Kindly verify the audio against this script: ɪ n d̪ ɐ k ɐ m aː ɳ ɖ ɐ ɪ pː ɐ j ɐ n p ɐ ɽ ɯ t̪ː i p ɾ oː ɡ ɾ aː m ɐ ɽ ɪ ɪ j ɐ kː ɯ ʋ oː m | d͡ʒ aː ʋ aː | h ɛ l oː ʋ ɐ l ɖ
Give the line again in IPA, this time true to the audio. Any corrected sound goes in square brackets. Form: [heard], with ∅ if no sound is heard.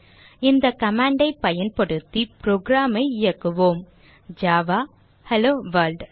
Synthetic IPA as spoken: ɪ n d̪ ɐ k ɐ m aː ɳ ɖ ɐ ɪ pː ɐ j ɐ n p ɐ ɽ ɯ t̪ː i p ɾ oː ɡ ɾ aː m ɐ [∅] ɪ ɪ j ɐ kː ɯ ʋ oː m | d͡ʒ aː ʋ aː | h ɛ l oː ʋ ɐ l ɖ